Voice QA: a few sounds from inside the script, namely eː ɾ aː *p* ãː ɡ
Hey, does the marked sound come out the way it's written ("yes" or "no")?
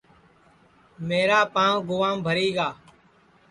yes